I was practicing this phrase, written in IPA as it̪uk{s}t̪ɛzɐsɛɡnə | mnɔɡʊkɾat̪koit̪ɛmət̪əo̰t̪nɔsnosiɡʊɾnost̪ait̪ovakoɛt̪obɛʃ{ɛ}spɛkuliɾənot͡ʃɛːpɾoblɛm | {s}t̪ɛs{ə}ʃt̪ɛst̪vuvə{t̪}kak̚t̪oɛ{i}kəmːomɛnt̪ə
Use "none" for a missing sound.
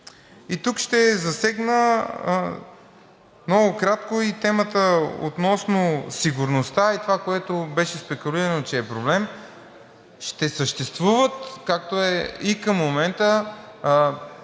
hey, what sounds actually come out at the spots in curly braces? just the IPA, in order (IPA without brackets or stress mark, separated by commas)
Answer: ʃ, ɛ, ʃ, ə, t̪, i